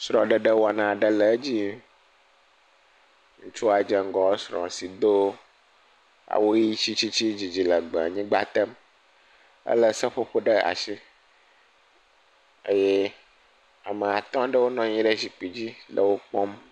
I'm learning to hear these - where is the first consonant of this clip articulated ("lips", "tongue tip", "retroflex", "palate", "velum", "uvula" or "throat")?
tongue tip